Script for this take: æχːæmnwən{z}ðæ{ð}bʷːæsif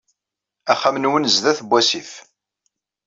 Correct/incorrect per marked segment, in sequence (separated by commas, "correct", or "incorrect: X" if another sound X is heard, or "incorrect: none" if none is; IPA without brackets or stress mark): correct, incorrect: θ